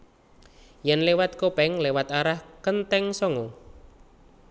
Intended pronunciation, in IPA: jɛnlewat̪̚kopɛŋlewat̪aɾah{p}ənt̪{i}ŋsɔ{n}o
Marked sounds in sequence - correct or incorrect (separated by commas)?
incorrect, incorrect, incorrect